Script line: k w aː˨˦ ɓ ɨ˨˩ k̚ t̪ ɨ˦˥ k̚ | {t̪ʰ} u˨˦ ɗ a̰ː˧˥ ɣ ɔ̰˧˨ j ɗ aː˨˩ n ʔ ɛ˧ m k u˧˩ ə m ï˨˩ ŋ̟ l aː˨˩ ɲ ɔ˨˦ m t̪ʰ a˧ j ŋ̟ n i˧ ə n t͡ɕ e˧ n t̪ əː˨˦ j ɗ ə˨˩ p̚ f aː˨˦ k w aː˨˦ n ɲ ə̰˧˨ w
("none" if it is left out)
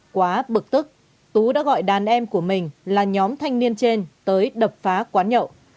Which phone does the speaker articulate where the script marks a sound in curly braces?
t̪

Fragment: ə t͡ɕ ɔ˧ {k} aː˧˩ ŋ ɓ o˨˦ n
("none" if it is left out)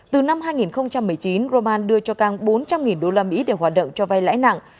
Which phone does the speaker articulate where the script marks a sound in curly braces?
k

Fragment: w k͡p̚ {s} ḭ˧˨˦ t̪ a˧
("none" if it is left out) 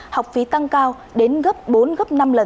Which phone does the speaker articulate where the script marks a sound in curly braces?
f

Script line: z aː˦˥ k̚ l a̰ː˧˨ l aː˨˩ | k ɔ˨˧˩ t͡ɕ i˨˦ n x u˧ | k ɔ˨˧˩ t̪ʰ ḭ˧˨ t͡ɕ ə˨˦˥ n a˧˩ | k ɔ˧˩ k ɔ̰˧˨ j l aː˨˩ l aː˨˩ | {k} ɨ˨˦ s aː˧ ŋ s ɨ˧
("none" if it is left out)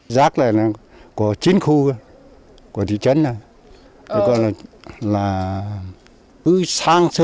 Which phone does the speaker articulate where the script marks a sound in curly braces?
k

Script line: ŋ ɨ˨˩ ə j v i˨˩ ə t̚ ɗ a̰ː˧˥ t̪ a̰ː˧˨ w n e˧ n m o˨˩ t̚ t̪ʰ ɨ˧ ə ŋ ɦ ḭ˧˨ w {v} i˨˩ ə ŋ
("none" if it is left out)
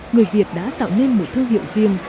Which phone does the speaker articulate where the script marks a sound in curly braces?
z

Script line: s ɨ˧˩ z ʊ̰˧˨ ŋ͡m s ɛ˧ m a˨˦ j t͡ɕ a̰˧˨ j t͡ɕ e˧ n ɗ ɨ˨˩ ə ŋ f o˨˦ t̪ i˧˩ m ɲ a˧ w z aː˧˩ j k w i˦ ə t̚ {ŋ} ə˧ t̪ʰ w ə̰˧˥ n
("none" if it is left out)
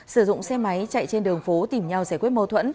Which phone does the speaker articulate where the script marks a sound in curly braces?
m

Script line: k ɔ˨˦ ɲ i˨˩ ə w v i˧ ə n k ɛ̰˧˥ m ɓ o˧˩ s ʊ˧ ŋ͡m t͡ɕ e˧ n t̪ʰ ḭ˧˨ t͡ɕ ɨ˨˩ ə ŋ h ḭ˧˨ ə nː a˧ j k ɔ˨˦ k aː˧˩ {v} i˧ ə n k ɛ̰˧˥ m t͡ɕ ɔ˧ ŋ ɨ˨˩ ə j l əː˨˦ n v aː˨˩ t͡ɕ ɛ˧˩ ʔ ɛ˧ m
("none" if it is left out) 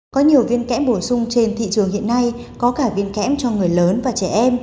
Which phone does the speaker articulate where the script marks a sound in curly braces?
v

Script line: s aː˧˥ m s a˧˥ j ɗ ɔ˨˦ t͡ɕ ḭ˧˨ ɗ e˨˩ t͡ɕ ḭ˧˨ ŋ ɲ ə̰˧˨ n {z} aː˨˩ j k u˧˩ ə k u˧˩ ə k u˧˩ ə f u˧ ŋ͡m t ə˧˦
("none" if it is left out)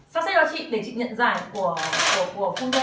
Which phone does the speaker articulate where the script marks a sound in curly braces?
z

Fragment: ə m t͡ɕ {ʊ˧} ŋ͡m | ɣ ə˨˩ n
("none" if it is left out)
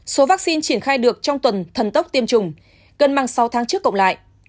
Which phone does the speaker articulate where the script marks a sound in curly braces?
ʊ˨˩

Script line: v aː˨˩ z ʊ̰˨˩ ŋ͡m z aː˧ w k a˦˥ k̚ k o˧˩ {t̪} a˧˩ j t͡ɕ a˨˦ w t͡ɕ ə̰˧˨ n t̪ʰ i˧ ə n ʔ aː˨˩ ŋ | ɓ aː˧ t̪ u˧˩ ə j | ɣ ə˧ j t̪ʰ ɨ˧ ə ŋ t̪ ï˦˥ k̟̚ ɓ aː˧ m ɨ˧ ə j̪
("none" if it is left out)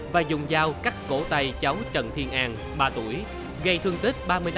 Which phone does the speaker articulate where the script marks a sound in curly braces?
t̪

